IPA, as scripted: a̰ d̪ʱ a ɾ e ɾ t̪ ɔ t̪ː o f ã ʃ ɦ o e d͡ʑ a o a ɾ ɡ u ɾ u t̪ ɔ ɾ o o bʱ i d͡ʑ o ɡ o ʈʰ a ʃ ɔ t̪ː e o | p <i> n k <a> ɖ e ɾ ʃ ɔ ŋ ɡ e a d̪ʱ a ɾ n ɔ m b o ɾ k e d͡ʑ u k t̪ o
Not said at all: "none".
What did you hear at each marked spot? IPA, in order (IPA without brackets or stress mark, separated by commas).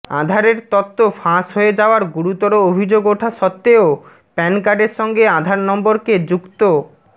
ɛ, a